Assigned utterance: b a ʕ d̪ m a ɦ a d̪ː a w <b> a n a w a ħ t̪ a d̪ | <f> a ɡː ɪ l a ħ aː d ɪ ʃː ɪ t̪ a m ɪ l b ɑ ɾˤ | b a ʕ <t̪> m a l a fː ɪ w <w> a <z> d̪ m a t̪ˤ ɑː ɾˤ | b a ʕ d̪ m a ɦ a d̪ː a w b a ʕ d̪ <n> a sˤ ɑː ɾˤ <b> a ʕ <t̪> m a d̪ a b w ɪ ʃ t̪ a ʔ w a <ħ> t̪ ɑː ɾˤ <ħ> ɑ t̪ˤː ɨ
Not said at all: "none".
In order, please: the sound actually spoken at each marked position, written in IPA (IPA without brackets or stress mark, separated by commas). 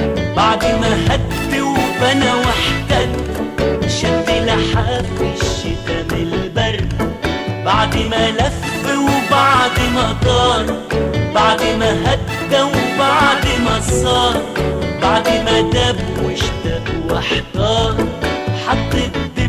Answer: b, ʃ, d̪, b, ʕ, m, b, d̪, ħ, ħ